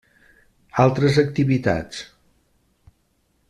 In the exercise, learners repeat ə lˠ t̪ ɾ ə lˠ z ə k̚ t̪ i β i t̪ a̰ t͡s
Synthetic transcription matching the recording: a lˠ t̪ ɾ ə z ə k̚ t̪ i β i t̪ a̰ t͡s

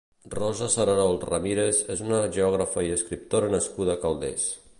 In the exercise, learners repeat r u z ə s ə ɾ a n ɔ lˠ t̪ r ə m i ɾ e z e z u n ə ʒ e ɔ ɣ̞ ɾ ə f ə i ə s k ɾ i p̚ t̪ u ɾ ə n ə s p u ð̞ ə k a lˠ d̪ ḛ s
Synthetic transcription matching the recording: r ɔ z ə s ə ɾ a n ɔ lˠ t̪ r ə m i ɾ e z e z u n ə ʒ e ɔ ɣ̞ ɾ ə f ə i ə s k ɾ i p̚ t̪ o ɾ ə n ə s k u ð̞ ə k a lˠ d̪ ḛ s

